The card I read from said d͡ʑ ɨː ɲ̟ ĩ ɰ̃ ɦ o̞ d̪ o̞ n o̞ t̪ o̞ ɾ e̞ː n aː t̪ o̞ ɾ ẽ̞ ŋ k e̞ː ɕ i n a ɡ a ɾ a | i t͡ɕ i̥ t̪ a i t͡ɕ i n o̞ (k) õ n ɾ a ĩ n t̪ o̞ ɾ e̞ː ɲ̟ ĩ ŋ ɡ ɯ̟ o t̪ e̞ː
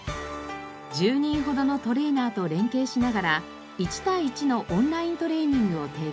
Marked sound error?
yes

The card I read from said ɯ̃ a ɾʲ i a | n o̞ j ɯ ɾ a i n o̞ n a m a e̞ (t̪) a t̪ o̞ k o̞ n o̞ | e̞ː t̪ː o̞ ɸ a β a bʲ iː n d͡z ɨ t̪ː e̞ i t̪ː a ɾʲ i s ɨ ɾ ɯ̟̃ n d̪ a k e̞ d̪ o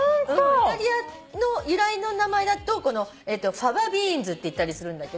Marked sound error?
yes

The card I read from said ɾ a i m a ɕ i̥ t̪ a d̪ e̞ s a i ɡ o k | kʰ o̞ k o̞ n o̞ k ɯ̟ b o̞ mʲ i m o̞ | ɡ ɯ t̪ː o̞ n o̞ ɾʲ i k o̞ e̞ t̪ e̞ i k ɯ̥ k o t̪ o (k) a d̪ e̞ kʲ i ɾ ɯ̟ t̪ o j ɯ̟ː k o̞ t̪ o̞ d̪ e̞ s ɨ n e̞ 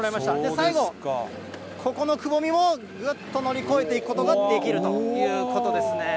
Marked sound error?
yes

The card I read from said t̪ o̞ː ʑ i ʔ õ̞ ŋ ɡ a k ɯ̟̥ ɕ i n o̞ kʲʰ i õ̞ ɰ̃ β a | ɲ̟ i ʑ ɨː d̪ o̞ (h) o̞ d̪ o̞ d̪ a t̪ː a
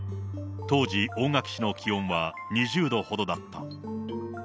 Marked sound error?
no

